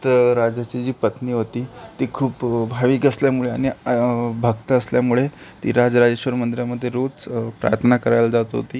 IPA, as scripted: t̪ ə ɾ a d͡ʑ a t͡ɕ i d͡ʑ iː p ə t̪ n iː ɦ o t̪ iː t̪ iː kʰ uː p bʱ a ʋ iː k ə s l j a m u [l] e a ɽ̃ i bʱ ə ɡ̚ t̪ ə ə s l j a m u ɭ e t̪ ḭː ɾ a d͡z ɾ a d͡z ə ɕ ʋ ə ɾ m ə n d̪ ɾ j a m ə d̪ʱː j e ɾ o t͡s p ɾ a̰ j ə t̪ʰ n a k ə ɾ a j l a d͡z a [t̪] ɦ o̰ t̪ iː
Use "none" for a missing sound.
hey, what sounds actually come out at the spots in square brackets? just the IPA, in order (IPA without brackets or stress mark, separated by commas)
ɭ, t̪